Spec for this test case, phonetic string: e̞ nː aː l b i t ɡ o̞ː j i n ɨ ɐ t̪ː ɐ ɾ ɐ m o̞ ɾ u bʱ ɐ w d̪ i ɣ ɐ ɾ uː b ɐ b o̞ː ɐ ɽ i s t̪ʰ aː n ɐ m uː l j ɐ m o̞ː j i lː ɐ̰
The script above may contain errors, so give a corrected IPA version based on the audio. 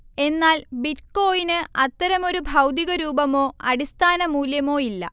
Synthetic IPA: e̞ nː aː l b i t k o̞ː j i n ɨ ɐ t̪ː ɐ ɾ ɐ m o̞ ɾ u bʱ ɐ w d̪ i ɣ ɐ ɾ uː b ɐ m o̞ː ɐ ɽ i s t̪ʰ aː n ɐ m uː l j ɐ m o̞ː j i lː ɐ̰